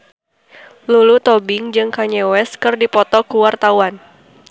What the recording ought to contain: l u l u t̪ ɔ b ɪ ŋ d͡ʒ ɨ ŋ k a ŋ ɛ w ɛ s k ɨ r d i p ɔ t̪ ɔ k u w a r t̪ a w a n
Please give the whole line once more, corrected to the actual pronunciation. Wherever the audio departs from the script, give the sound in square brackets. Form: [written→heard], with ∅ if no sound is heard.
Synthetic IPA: l u l u t̪ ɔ b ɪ ŋ d͡ʒ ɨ ŋ k a [ŋ→ɲ] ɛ w ɛ s k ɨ r d i p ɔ t̪ ɔ k u w a r t̪ a w a n